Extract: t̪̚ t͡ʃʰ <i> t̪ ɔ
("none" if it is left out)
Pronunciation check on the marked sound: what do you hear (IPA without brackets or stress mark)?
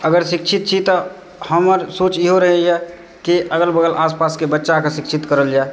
i